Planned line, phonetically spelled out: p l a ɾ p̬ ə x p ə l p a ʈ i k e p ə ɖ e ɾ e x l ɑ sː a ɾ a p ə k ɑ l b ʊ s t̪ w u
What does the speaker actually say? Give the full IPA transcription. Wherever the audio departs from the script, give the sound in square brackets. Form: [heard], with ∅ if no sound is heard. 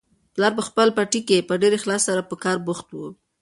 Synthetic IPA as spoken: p l [ɑ] ɾ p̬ ə x p ə l p a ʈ i k e p ə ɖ e ɾ e x l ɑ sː a ɾ a p ə k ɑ [ɾ] b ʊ [x] t̪ w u